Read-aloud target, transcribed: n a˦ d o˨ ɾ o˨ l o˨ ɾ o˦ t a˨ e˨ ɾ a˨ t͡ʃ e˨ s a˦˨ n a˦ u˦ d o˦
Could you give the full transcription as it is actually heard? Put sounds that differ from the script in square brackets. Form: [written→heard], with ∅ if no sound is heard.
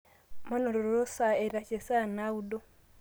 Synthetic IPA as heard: [n→m] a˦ [d→n] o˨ ɾ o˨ [l→ɾ] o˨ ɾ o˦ [t→s] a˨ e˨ ɾ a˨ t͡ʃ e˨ s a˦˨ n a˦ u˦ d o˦

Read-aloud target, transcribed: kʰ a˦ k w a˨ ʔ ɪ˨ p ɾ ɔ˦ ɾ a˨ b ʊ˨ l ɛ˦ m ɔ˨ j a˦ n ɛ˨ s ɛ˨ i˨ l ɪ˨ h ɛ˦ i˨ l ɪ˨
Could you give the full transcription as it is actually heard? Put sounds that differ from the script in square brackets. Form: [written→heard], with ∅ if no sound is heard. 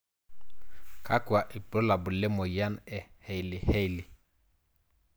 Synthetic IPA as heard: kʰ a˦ k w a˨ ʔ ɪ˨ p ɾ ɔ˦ [ɾ→l] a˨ b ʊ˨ l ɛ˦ m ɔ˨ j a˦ n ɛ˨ [s→h] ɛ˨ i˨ l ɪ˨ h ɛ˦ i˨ l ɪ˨

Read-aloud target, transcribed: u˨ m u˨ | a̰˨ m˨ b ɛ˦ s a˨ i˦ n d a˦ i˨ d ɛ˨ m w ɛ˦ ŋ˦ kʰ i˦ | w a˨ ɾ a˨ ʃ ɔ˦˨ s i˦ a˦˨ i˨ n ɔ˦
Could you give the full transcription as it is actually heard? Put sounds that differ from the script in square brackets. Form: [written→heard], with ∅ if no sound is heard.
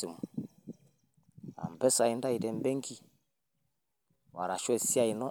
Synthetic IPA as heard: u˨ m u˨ | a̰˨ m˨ b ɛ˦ s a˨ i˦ n d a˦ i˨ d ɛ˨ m [w→b] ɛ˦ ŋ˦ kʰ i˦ | w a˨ ɾ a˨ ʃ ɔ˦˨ s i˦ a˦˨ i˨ n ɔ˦

